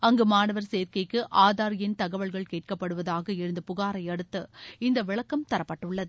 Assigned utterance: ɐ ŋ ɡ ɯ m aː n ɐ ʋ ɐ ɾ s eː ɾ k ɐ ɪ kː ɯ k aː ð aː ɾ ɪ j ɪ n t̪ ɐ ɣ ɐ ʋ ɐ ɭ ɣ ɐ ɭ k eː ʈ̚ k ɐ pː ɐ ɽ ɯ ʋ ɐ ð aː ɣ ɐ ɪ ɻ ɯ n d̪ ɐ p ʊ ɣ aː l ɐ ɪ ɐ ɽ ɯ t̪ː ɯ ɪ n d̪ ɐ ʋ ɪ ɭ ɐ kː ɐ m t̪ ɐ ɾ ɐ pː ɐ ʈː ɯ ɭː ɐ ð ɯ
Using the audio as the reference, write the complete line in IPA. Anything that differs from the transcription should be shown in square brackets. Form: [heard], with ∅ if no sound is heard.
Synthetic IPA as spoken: ɐ ŋ ɡ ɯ m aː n ɐ ʋ ɐ ɾ s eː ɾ k ɐ ɪ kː ɯ [ʔ] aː ð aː ɾ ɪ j ɪ n t̪ ɐ ɣ ɐ ʋ ɐ ɭ ɣ ɐ ɭ k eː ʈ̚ k ɐ pː ɐ ɽ ɯ ʋ ɐ ð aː ɣ ɐ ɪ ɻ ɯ n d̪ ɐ p ʊ ɣ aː [ɾ] ɐ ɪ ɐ ɽ ɯ t̪ː ɯ ɪ n d̪ ɐ ʋ ɪ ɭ ɐ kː ɐ m t̪ ɐ ɾ ɐ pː ɐ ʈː ɯ ɭː ɐ ð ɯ